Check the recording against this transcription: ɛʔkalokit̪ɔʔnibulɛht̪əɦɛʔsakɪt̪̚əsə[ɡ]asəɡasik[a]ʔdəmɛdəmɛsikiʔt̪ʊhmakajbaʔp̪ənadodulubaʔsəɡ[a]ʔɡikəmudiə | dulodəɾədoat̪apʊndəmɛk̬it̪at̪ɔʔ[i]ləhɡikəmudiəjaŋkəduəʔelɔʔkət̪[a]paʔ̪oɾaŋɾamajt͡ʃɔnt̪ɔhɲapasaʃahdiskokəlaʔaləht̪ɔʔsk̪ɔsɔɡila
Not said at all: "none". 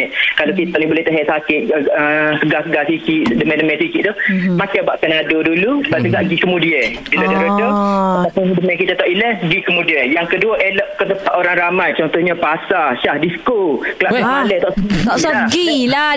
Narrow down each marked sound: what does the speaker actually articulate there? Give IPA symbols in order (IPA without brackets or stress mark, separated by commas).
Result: ɡ, i, a, i, ə